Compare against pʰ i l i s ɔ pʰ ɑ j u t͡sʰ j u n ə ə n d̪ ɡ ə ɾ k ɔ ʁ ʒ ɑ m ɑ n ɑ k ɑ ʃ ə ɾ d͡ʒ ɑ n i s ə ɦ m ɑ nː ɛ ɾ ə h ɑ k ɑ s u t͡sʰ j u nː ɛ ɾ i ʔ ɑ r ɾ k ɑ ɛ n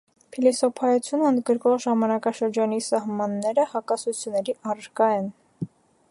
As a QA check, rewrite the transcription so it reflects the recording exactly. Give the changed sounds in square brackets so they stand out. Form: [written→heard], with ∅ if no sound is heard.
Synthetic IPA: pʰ i l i s ɔ pʰ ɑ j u t͡sʰ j u n ə ə n d̪ ɡ ə ɾ k ɔ ʁ ʒ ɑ m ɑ n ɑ k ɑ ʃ ə ɾ d͡ʒ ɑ n i s [ə→ɑ] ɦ m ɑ nː ɛ ɾ ə h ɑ k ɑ s u t͡sʰ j u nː ɛ ɾ i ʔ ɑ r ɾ k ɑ ɛ n